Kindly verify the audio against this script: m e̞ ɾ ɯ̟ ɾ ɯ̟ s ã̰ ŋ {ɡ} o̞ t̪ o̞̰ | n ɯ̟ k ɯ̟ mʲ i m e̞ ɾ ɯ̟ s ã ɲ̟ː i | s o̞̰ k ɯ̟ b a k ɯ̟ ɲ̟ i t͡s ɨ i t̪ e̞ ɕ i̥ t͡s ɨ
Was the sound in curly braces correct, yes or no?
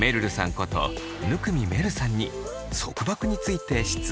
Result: no